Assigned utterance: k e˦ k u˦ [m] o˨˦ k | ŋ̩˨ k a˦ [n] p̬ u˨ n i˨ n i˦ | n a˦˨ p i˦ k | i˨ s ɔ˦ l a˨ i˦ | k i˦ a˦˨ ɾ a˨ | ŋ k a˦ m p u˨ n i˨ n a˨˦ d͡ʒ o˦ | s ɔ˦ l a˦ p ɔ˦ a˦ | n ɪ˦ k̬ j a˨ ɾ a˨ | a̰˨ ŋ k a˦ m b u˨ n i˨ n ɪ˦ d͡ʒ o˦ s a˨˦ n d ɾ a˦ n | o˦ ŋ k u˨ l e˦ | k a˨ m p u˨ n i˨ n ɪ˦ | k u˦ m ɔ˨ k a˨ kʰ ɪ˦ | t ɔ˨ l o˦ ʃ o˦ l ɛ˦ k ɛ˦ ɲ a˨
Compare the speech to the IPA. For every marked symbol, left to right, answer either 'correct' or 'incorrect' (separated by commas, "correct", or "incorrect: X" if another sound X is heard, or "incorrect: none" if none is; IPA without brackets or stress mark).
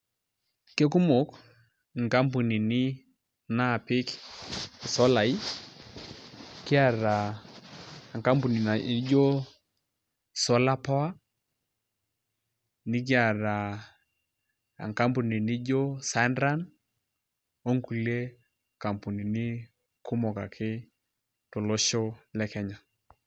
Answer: correct, incorrect: m